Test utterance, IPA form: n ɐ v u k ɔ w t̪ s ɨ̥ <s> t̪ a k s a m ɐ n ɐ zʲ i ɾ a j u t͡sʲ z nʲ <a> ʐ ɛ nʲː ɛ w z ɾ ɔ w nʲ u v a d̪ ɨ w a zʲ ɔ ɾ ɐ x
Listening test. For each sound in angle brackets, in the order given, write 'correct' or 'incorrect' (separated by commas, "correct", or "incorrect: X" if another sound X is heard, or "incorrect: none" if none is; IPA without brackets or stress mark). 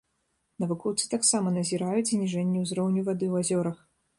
incorrect: none, incorrect: i